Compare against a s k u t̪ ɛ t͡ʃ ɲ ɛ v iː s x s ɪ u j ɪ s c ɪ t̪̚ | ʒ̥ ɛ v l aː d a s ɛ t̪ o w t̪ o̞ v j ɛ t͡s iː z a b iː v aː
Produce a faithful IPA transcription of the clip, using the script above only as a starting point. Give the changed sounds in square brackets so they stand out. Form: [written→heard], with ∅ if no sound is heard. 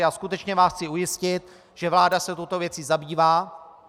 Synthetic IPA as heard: a s k u t̪ ɛ t͡ʃ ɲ ɛ v [iː→aː] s x [s→t͡s] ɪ u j ɪ s c ɪ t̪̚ | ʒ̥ ɛ v l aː d a s ɛ t̪ o w t̪ o̞ v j ɛ t͡s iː z a b iː v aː